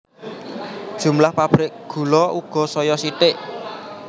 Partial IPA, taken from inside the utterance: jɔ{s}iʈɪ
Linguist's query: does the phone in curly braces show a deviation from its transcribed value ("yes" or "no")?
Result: no